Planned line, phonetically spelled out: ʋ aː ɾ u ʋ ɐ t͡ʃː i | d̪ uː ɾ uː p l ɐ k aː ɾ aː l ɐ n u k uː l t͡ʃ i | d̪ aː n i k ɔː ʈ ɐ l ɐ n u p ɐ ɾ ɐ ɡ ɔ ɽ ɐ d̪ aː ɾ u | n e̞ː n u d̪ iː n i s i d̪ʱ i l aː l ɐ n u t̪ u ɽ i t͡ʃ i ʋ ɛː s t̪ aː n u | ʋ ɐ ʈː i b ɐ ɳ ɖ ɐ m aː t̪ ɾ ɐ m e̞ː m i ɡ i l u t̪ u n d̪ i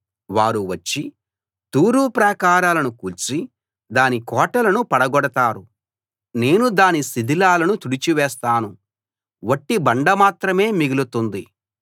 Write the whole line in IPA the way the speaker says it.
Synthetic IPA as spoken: ʋ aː ɾ u ʋ ɐ t͡ʃː i | t̪ uː ɾ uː p ɾ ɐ k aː ɾ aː l ɐ n u k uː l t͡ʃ i | d̪ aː n i k ɔː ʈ ɐ l ɐ n u p ɐ ɽ ɐ ɡ ɔ ɽ ɐ t̪ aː ɾ u | n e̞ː n u d̪ aː n i s i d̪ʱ i l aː l ɐ n u t̪ u ɽ i t͡ʃ i ʋ ɛː s t̪ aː n u | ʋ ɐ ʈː i b ɐ ɳ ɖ ɐ m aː t̪ ɾ ɐ m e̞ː m i ɡ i l u t̪ u n d̪ i

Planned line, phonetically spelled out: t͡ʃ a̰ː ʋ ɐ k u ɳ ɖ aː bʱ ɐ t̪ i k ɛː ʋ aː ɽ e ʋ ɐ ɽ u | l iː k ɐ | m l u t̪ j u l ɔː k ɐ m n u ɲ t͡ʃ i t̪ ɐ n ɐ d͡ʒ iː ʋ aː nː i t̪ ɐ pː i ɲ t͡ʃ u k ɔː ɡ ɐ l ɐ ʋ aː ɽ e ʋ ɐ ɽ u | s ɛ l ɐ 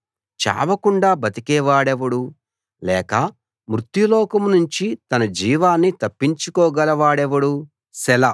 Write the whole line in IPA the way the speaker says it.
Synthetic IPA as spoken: t͡ʃ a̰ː ʋ ɐ k u ɳ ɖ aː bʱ ɐ t̪ i k ɛː ʋ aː ɽ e ʋ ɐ ɽ u | l ɛː k ɐ | m ɾ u t̪ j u l ɔː k ɐ m n u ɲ t͡ʃ i t̪ ɐ n ɐ d͡ʒ iː ʋ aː nː i t̪ ɐ pː i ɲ t͡ʃ u k ɔː ɡ ɐ l ɐ ʋ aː ɽ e ʋ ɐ ɽ u | s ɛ l ɐ

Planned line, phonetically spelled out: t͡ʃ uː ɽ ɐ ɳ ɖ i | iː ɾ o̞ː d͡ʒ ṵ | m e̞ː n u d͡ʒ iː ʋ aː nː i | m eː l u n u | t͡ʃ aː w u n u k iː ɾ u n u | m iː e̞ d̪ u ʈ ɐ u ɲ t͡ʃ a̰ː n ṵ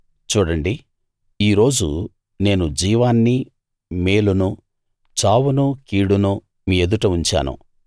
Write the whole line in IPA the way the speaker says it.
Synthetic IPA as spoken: t͡ʃ uː ɽ ɐ ɳ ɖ i | iː ɾ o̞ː d͡ʒ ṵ | n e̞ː n u d͡ʒ iː ʋ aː nː i | m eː l u n u | t͡ʃ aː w u n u k iː ɽ u n u | m iː e̞ d̪ u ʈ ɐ u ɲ t͡ʃ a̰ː n ṵ

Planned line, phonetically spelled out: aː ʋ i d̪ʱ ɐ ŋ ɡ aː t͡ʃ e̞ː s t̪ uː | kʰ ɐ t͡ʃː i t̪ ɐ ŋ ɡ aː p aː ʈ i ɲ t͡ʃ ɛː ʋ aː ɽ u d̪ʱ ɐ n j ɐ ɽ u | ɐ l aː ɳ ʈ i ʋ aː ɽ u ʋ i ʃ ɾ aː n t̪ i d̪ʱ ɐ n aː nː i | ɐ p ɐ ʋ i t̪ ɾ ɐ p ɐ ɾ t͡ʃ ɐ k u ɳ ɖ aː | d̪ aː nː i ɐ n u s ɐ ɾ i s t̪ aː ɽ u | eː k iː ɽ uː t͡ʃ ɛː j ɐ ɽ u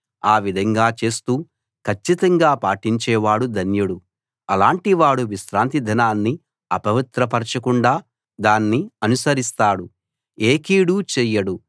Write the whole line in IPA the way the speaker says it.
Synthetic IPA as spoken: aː ʋ i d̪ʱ ɐ ŋ ɡ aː t͡ʃ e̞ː s t̪ uː | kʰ ɐ t͡ʃː i t̪ ɐ ŋ ɡ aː p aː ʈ i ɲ t͡ʃ ɛː ʋ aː ɽ u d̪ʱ ɐ n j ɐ ɽ u | ɐ l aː ɳ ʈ i ʋ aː ɽ u ʋ i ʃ ɾ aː n t̪ i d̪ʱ ɐ n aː nː i | ɐ p ɐ ʋ i t̪ ɾ ɐ p ɐ ɾ t͡ʃ ɐ k u ɳ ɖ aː | d̪ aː nː i ɐ n u s ɐ ɾ i s t̪ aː ɽ u | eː k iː ɽ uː t͡ʃ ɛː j ɐ ɽ u

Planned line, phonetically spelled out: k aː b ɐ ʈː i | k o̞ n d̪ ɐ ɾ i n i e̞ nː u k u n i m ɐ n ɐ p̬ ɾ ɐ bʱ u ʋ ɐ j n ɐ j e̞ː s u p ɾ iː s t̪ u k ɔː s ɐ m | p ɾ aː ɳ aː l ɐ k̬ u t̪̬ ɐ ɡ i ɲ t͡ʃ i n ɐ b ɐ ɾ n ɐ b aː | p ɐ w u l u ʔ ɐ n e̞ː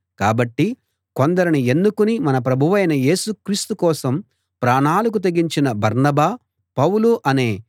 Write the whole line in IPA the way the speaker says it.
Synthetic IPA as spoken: k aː b ɐ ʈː i | k o̞ n d̪ ɐ ɾ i n i e̞ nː u k u n i m ɐ n ɐ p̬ ɾ ɐ bʱ u ʋ ɐ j n ɐ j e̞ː s u k ɾ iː s t̪ u k ɔː s ɐ m | p ɾ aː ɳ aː l ɐ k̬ u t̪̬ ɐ ɡ i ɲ t͡ʃ i n ɐ b ɐ ɾ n ɐ b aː | p ɐ w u l u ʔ ɐ n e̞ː

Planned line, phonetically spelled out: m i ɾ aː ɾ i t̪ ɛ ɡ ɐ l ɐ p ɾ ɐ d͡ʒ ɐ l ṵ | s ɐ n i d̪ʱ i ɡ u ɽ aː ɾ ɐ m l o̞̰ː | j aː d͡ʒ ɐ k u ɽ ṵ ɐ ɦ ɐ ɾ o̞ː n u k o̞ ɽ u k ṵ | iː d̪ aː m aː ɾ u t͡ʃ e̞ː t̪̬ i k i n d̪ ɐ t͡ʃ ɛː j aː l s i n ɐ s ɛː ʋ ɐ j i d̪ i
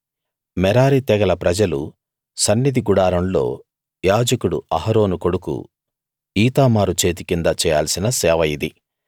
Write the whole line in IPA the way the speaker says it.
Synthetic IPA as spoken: m ɛ ɾ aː ɾ i t̪ ɛ ɡ ɐ l ɐ p ɾ ɐ d͡ʒ ɐ l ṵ | s ɐ nː i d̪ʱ i ɡ u ɽ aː ɾ ɐ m l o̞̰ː | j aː d͡ʒ ɐ k u ɽ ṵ ɐ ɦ ɐ ɾ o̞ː n u k o̞ ɽ u k ṵ | iː t̪ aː m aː ɾ u t͡ʃ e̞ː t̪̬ i k i n d̪ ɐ t͡ʃ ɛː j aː l s i n ɐ s ɛː ʋ ɐ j i d̪ i

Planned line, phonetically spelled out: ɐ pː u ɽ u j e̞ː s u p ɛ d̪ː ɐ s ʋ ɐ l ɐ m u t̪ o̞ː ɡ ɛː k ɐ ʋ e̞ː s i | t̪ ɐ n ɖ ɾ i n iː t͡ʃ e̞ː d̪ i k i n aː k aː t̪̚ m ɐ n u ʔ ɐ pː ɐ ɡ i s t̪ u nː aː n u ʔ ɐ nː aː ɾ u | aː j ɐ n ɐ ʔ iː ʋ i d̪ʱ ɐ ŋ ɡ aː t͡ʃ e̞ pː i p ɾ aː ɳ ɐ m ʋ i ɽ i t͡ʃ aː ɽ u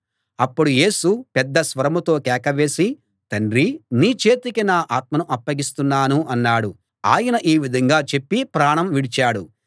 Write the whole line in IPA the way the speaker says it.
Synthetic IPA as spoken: ɐ pː u ɽ u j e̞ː s u p ɛ d̪ː ɐ s ʋ ɐ ɾ ɐ m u t̪ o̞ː k ɛː k ɐ ʋ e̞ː s i | t̪ ɐ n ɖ ɾ i n iː t͡ʃ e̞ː t̪ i k i n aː ʔ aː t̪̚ m ɐ n u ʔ ɐ pː ɐ ɡ i s t̪ u nː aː n u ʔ ɐ nː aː ɽ u | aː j ɐ n ɐ ʔ iː ʋ i d̪ʱ ɐ ŋ ɡ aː t͡ʃ e̞ pː i p ɾ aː ɳ ɐ m ʋ i ɽ i t͡ʃ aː ɽ u

